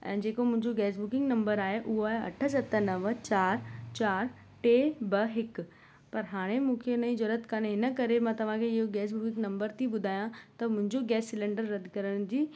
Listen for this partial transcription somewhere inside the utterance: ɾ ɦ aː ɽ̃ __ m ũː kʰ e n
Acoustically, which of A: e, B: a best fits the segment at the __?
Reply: A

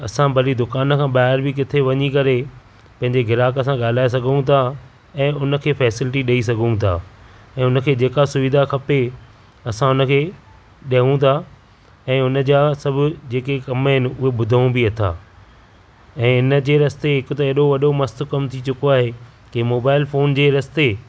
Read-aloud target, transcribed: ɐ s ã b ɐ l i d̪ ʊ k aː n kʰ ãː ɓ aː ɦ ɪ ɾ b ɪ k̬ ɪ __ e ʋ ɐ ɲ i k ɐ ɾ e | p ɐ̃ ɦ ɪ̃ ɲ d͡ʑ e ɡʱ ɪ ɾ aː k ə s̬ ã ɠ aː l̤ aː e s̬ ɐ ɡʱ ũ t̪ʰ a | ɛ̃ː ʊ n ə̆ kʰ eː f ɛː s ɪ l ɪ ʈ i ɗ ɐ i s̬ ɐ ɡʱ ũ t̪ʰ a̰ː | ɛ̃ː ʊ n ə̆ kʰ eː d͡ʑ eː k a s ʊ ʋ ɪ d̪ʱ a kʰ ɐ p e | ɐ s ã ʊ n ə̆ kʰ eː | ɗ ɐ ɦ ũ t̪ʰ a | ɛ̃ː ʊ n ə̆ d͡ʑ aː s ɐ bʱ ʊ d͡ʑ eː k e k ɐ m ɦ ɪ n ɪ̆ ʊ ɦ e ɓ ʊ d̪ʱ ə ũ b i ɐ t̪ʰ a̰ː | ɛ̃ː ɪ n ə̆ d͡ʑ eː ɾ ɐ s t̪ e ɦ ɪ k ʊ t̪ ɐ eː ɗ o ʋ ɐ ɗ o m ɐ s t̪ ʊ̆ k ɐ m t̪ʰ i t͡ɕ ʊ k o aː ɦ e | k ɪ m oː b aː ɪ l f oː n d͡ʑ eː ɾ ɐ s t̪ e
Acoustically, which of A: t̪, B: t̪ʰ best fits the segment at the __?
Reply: B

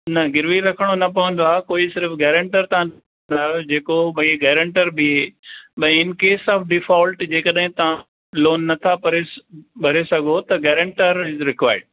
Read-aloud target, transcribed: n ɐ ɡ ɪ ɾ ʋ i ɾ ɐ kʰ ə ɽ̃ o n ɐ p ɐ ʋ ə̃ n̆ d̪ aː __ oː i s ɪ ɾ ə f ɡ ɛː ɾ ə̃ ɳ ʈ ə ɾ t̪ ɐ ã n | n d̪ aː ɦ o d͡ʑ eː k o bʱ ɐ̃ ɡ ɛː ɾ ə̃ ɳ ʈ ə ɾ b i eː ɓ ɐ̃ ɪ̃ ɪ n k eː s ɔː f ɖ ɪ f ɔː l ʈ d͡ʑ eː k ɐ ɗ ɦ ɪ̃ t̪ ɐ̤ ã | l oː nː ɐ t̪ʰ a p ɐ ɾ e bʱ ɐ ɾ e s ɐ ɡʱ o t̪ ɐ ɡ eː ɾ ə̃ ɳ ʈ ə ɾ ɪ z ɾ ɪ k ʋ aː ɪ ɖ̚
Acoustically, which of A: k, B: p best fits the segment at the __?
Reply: A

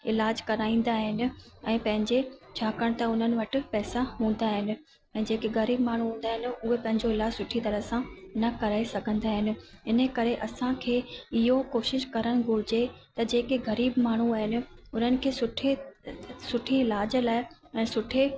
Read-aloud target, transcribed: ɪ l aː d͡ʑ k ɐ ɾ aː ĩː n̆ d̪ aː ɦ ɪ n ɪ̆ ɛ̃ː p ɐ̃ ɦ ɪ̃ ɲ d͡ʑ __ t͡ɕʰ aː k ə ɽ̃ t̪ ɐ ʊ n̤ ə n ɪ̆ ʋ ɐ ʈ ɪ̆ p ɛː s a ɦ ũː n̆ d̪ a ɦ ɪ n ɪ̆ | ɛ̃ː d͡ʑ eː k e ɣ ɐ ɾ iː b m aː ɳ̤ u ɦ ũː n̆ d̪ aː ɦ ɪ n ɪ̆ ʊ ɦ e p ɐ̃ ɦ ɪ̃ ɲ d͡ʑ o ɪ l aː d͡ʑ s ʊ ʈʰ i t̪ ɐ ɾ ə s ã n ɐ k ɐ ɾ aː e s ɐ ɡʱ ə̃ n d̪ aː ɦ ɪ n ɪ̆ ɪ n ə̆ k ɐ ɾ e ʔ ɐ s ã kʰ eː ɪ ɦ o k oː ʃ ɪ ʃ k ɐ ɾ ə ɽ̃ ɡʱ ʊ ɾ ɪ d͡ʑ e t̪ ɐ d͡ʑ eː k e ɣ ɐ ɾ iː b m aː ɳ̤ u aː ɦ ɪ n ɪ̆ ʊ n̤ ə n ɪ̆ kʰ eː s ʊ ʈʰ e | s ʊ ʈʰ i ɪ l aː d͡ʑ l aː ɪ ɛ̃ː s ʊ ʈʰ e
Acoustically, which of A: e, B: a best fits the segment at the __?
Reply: A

